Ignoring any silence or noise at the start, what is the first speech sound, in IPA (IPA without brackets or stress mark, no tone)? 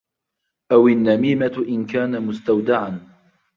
ʔ